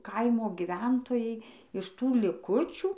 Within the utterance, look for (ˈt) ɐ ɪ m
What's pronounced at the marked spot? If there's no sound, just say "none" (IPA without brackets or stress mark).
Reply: k